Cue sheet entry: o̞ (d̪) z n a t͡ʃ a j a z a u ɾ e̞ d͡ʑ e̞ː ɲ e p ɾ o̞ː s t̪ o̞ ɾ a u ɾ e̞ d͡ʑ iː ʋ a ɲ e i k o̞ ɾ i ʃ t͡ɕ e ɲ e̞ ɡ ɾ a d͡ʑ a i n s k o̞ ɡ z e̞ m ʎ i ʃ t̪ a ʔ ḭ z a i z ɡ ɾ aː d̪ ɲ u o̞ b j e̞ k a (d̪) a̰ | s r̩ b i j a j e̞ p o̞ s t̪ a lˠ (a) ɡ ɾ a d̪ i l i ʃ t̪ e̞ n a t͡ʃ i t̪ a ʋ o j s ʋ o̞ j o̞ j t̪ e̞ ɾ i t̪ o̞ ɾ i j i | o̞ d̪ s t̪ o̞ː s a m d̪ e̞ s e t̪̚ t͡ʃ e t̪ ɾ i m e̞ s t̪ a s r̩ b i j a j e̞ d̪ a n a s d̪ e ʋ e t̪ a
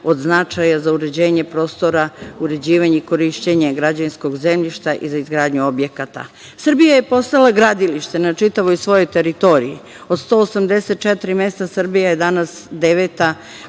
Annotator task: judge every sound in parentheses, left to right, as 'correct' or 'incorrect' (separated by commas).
correct, incorrect, correct